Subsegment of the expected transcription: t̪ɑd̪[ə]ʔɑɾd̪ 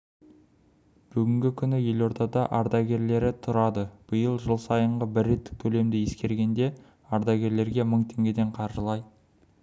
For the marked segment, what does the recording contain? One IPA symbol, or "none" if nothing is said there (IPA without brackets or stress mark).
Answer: ɑ